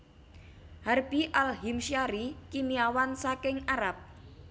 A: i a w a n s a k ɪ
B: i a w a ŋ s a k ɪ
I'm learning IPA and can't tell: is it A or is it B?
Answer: A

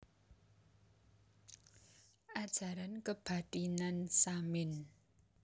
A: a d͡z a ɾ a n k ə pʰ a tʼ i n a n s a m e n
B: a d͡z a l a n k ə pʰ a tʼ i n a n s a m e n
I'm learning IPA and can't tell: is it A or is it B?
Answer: A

